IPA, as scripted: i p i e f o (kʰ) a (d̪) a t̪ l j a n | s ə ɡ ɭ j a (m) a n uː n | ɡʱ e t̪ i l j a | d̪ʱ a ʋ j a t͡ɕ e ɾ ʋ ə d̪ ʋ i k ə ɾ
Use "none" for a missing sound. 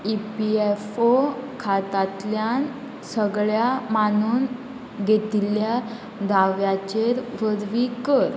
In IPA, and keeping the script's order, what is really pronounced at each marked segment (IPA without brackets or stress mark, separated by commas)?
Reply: kʰ, t̪, m